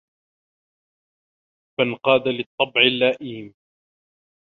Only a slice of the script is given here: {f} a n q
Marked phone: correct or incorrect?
correct